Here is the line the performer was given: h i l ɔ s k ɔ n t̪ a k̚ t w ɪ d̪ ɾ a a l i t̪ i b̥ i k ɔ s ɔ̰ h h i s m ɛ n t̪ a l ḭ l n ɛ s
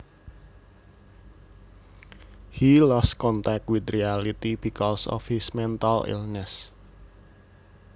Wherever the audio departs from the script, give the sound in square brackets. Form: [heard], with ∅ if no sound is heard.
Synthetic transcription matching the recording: h i l ɔ s k ɔ n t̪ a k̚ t w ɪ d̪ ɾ [i] a l i t̪ i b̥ i k ɔ s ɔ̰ [f] h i s m ɛ n t̪ a l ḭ l n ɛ s